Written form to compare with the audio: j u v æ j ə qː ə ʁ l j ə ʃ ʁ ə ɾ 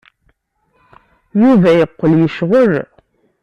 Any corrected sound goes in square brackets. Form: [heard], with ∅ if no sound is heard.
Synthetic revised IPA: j u v æ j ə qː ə [∅] l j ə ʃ ʁ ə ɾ